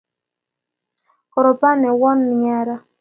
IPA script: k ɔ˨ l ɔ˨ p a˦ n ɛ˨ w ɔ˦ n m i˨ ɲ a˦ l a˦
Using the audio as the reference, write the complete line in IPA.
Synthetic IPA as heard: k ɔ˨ ɾ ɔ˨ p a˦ n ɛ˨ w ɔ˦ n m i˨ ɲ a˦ ɾ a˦